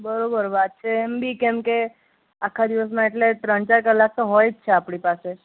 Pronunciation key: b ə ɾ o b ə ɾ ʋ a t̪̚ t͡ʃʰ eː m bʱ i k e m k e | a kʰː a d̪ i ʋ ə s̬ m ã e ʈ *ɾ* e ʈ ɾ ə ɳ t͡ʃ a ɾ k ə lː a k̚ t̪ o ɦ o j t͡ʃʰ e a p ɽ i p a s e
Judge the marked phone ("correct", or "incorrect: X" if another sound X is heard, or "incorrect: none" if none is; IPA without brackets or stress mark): incorrect: l